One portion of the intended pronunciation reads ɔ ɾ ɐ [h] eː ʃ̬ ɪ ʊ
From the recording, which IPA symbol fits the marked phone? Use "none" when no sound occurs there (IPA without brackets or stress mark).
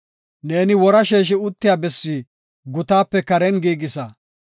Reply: ʃ